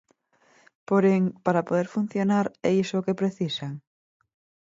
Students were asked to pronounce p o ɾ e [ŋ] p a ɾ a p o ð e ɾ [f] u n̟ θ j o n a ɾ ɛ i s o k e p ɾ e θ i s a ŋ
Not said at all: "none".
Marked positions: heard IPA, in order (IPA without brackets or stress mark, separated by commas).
ŋ, f